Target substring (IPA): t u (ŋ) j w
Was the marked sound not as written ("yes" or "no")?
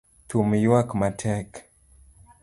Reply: yes